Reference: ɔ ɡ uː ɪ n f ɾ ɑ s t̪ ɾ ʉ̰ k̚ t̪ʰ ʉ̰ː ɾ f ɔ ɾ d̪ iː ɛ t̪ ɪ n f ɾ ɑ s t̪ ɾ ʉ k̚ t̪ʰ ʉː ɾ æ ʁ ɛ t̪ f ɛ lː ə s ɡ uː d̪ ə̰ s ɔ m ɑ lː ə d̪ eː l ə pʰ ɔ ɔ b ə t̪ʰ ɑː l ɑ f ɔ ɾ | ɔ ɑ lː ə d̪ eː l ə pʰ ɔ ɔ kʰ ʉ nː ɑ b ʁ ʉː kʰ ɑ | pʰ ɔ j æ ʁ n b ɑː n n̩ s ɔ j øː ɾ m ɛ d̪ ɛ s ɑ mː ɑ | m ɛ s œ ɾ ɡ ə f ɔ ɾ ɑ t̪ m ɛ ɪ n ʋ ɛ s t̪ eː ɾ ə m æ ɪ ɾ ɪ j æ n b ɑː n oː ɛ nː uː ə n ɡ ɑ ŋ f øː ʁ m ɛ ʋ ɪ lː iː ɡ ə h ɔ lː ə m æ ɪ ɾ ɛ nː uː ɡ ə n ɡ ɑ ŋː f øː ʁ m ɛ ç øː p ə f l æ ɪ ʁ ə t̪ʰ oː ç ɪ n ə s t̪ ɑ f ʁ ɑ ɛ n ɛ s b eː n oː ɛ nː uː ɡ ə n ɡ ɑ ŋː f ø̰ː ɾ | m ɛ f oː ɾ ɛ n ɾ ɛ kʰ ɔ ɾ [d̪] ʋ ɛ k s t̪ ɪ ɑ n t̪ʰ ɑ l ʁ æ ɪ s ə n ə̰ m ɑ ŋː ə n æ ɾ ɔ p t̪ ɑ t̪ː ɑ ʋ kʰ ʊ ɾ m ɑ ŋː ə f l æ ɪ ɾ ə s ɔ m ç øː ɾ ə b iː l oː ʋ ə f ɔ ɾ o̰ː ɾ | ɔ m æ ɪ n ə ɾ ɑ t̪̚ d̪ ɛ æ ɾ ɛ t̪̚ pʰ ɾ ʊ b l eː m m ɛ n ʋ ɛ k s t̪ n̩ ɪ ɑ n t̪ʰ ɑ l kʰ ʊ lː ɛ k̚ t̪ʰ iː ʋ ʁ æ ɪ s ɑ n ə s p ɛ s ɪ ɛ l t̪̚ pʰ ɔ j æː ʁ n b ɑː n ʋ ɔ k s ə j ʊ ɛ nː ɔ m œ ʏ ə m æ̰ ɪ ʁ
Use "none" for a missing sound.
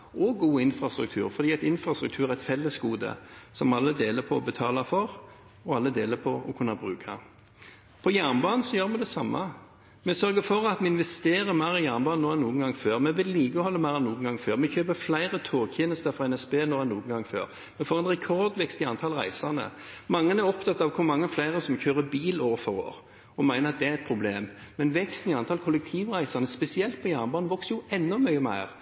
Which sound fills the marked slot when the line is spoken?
d̪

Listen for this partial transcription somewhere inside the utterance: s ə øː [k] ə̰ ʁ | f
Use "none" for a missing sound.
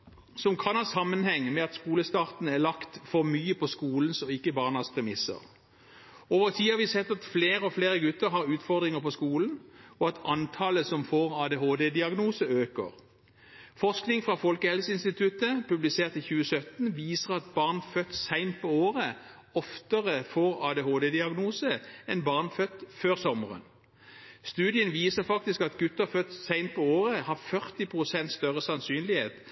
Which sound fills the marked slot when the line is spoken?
k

